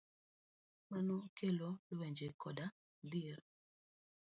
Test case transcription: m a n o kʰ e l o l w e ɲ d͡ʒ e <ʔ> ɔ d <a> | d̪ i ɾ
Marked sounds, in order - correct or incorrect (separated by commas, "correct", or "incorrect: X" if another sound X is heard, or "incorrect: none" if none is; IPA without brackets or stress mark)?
incorrect: k, correct